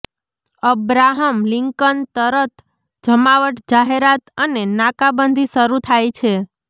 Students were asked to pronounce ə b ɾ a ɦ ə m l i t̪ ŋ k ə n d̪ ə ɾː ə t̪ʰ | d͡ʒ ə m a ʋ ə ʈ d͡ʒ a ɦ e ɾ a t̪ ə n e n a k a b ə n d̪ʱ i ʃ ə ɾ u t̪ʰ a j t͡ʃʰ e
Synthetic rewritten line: ə b ɾ a ɦ ə m l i ŋ k ə n t̪ ə ɾ ə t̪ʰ | d͡ʒ ə m a ʋ ə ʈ d͡ʒ a ɦ e ɾ a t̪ ə n e n a k a b ə n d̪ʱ i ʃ ə ɾ u t̪ʰ a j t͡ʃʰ e